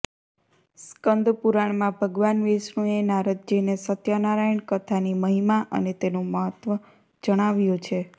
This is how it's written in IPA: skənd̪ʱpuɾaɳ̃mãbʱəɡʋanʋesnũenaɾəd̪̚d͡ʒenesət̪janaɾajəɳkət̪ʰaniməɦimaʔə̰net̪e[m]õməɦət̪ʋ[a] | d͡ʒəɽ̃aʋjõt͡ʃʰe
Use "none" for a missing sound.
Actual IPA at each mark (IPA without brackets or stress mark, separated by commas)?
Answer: n, ə